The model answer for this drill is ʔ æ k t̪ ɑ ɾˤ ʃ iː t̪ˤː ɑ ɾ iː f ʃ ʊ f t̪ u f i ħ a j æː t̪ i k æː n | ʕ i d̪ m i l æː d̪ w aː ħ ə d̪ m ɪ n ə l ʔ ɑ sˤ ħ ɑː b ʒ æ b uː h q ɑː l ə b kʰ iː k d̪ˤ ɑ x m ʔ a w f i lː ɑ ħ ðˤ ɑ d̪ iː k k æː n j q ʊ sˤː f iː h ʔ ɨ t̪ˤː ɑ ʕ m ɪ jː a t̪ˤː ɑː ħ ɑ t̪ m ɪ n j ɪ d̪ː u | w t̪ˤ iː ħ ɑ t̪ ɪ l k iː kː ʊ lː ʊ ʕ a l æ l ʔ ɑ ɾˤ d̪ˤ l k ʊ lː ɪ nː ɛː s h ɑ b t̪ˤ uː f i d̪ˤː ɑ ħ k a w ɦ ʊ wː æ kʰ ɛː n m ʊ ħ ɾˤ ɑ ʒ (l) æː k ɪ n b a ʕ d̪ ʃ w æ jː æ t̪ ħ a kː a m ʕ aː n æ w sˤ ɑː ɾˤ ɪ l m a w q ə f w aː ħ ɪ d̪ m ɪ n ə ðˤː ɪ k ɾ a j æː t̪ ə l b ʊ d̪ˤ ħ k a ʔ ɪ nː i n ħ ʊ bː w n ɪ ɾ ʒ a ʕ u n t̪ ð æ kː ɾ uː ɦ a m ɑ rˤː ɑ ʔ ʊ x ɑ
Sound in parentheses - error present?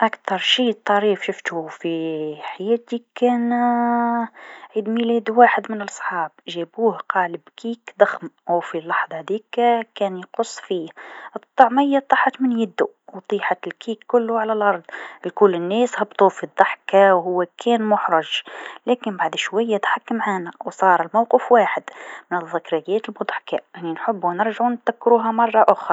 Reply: no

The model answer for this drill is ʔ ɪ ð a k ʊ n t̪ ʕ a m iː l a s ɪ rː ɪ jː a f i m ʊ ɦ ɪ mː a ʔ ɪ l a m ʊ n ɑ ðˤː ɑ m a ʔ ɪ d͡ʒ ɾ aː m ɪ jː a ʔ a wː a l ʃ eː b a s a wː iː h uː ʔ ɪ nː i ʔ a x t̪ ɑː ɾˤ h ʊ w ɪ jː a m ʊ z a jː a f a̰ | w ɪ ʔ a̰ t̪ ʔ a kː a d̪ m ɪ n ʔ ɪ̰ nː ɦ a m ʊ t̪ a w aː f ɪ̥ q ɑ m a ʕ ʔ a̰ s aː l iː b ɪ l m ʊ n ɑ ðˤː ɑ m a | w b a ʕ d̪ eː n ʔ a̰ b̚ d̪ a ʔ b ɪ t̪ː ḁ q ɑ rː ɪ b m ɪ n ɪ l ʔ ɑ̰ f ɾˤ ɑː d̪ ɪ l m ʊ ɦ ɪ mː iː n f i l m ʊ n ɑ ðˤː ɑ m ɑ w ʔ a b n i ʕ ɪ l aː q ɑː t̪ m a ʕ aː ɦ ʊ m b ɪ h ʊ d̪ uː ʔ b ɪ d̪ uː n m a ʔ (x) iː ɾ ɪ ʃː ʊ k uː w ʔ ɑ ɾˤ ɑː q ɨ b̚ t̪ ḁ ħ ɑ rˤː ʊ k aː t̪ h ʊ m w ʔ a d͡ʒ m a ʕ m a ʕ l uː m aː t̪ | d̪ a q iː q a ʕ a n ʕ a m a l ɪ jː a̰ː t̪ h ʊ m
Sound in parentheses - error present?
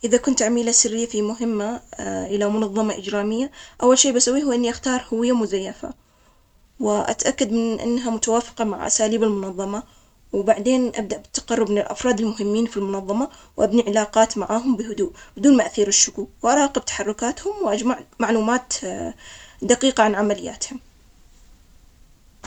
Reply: yes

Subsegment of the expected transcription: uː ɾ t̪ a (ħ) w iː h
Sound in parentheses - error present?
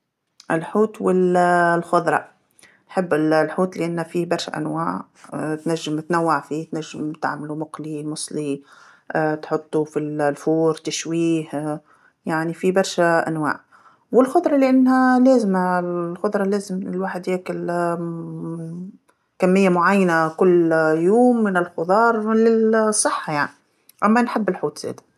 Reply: yes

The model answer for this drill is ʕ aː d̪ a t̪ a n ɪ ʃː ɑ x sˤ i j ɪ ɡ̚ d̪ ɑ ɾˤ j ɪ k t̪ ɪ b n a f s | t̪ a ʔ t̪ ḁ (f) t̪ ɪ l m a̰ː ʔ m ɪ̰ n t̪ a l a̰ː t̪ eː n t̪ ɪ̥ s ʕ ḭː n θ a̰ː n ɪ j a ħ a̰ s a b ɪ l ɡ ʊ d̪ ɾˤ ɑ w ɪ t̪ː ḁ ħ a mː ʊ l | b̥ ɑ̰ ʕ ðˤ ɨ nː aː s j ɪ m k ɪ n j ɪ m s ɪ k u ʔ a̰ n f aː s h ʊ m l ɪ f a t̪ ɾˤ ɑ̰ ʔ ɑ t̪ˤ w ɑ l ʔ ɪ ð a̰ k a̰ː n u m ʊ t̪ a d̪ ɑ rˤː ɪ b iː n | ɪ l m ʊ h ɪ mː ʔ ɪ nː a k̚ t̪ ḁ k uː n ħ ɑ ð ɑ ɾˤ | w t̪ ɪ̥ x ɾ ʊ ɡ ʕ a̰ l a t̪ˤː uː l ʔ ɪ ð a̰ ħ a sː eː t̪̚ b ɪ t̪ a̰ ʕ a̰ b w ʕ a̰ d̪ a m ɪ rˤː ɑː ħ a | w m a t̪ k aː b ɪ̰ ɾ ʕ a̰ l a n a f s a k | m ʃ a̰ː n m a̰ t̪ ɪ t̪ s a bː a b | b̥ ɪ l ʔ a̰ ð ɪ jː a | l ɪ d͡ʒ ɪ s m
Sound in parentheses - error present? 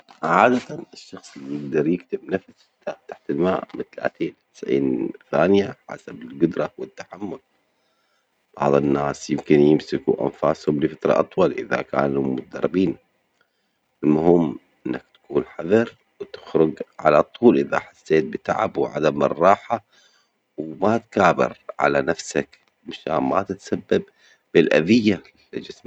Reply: yes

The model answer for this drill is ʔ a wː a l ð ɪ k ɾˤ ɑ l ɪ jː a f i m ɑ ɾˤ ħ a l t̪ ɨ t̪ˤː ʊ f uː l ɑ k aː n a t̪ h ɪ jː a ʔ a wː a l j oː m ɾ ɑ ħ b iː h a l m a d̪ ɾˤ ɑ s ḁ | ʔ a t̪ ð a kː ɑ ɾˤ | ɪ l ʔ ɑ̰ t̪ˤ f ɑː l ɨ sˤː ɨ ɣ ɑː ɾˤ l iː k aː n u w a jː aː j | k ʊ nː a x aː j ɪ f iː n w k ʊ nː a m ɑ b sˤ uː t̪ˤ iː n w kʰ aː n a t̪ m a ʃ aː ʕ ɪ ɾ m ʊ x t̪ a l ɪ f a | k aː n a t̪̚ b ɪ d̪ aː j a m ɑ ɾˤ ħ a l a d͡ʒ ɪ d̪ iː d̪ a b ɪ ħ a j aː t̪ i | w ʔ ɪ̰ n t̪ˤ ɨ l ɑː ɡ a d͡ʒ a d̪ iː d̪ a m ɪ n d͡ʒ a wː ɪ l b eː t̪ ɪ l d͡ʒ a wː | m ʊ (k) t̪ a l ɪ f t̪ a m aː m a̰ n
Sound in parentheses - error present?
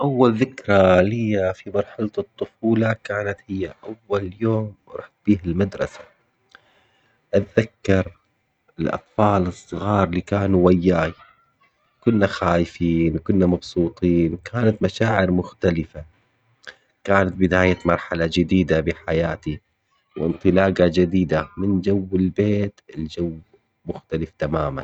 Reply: yes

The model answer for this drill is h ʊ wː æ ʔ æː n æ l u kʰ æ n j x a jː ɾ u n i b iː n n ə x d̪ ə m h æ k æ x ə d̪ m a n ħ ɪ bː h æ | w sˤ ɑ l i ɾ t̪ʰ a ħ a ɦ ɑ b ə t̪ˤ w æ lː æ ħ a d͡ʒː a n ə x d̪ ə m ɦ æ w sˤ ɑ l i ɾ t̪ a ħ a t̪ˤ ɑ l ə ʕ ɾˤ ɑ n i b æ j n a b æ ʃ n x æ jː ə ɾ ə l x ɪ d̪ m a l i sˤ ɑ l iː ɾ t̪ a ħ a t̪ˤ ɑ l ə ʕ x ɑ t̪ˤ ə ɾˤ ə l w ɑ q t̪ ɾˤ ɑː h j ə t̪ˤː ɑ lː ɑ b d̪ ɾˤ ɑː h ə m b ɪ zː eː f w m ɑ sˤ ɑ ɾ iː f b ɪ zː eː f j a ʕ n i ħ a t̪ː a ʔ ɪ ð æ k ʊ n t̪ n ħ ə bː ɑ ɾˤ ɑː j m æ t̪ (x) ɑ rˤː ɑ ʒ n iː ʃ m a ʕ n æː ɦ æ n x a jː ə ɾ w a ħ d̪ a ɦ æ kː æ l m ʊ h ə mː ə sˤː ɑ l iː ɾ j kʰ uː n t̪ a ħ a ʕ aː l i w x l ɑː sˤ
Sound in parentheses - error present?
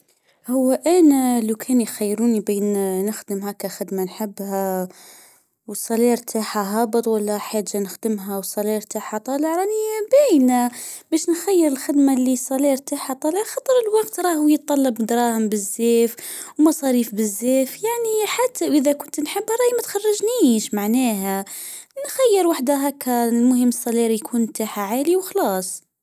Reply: no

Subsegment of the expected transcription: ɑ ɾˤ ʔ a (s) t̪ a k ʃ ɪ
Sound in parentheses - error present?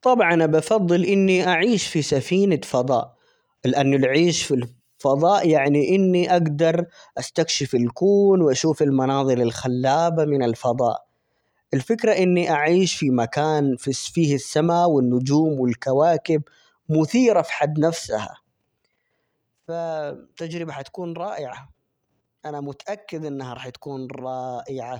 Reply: no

